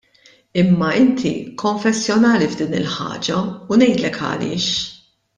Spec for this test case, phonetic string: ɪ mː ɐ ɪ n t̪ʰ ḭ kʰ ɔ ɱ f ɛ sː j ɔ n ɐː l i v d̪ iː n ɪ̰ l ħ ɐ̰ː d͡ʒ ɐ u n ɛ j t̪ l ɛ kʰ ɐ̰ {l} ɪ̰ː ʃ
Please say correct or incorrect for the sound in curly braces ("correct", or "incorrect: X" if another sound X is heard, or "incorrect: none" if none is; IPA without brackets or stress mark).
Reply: correct